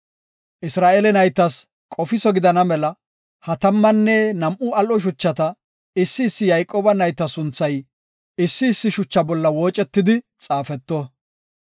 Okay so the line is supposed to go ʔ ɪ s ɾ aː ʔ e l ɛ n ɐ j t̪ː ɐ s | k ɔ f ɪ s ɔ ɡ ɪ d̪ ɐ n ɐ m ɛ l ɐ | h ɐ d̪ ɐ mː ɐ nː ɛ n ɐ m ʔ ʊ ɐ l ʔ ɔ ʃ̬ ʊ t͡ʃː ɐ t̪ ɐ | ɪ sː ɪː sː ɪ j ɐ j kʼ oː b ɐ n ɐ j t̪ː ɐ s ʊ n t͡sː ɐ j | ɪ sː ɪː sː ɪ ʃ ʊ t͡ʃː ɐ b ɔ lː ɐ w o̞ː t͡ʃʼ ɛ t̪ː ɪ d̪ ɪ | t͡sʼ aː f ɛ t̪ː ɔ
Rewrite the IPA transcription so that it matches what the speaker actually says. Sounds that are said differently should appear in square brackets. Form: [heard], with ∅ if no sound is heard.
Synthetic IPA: ʔ ɪ s ɾ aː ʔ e l ɛ n ɐ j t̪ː ɐ s | [kʼ] ɔ f ɪ s ɔ ɡ ɪ d̪ ɐ n ɐ m ɛ l ɐ | h ɐ [t̪] ɐ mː ɐ nː ɛ n ɐ m ʔ ʊ ɐ l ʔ ɔ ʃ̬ ʊ t͡ʃː ɐ t̪ ɐ | ɪ sː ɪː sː ɪ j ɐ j kʼ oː b ɐ n ɐ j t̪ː ɐ s ʊ n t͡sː ɐ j | ɪ sː ɪː sː ɪ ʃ ʊ t͡ʃː ɐ b ɔ lː ɐ w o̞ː t͡ʃʼ ɛ t̪ː ɪ d̪ ɪ | t͡sʼ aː f ɛ t̪ː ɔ